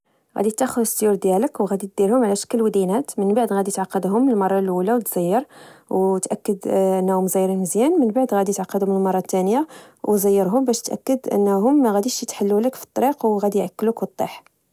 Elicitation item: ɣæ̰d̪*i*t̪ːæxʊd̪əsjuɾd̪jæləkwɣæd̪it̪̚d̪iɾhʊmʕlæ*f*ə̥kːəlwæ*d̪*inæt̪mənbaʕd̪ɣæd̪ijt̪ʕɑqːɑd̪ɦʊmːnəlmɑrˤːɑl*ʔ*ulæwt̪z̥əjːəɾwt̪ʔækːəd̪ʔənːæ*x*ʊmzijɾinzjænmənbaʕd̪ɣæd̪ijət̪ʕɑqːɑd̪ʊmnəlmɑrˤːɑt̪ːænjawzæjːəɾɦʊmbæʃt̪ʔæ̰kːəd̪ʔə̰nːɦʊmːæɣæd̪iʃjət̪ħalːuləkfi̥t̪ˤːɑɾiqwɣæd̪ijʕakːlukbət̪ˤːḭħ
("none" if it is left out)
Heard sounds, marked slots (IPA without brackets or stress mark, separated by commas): i, ʃ, d̪, ʔ, h